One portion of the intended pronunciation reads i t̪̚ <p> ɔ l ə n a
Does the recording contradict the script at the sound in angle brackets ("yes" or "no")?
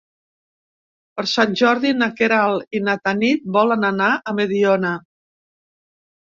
yes